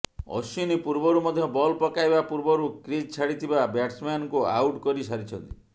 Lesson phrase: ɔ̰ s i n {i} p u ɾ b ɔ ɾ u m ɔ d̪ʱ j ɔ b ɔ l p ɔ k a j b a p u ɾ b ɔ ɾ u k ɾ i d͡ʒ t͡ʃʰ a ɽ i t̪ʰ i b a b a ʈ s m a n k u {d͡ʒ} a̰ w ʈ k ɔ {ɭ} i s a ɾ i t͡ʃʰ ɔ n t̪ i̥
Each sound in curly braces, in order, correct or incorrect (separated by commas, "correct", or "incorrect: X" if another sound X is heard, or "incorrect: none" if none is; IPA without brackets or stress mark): correct, incorrect: none, incorrect: ɾ